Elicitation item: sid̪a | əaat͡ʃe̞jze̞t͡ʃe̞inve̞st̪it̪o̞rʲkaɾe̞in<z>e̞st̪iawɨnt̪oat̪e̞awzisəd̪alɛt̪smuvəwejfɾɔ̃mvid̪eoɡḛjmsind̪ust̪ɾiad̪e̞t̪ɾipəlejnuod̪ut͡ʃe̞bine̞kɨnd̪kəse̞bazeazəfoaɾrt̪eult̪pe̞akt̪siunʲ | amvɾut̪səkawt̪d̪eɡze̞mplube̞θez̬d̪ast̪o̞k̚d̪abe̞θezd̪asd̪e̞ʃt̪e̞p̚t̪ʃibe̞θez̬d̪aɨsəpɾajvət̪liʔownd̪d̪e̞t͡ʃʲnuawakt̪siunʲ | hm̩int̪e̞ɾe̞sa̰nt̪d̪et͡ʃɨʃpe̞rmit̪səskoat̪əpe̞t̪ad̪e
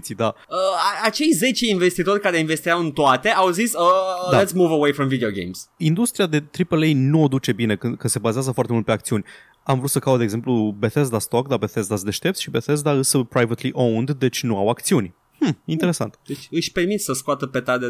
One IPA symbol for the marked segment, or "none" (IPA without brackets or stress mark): v